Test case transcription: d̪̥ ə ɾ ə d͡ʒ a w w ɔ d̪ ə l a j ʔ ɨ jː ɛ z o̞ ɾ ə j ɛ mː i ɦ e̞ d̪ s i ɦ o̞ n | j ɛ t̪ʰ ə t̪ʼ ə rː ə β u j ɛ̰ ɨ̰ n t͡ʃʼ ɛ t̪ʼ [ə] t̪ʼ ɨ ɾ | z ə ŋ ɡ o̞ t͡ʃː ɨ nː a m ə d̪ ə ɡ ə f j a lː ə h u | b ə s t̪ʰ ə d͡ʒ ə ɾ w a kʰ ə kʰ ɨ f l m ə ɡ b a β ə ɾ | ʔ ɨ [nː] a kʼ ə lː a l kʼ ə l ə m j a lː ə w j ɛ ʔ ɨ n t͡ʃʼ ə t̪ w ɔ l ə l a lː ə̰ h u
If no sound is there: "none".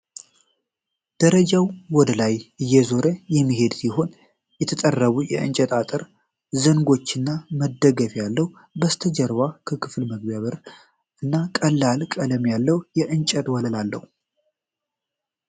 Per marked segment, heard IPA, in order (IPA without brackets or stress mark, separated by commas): a, nː